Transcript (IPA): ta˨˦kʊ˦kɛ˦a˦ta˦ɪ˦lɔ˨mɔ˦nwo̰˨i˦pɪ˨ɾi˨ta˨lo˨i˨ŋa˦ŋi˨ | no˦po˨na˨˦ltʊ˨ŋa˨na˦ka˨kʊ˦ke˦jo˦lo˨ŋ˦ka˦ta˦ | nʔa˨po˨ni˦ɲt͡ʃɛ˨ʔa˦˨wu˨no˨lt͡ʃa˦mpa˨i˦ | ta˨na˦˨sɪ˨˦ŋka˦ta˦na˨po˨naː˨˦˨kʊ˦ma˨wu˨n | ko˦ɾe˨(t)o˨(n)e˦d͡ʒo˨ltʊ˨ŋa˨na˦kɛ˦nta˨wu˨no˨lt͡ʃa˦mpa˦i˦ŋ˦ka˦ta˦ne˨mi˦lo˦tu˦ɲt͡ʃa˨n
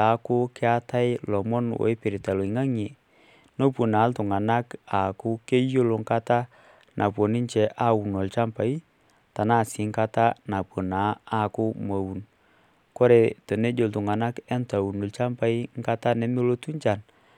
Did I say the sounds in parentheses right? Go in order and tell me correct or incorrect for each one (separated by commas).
correct, correct